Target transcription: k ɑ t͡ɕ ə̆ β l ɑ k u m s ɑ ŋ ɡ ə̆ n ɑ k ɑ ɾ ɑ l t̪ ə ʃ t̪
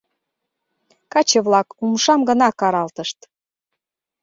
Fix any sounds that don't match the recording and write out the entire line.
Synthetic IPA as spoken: k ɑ t͡ɕ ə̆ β l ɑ k u m ʃ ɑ m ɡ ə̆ n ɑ k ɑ ɾ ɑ l t̪ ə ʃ t̪